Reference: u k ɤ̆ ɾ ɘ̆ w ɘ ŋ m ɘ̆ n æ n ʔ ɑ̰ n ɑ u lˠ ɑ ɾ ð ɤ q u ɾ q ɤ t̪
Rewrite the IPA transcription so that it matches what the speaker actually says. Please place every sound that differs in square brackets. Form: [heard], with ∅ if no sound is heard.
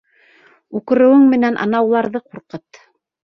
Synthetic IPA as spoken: u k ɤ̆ ɾ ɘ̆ w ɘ ŋ m ɘ̆ n æ n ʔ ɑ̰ n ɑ [w] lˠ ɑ ɾ ð ɤ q u ɾ q ɤ t̪